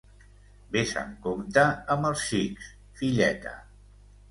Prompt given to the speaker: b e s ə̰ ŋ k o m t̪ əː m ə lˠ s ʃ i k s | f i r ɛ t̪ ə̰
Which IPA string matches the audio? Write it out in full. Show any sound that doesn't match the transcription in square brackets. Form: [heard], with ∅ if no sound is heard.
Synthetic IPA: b e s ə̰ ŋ k o m t̪ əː m ə lˠ s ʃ i k s | f i [ʎ] ɛ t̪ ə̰